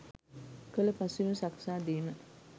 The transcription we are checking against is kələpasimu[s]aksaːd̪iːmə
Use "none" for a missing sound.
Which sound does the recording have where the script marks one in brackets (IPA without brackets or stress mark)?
s